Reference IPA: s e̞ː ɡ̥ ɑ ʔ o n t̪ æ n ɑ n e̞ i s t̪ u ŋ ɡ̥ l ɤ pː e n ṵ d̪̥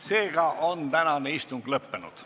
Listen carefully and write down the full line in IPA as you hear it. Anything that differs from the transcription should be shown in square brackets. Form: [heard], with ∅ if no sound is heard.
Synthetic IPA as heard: s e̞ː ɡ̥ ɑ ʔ o n t̪ æ n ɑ n e̞ i s t̪ u ŋ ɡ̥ l ɤ pː e n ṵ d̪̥